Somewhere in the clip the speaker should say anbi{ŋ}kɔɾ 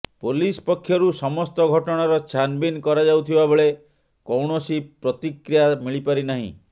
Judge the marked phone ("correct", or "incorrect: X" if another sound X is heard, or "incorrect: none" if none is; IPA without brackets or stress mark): incorrect: n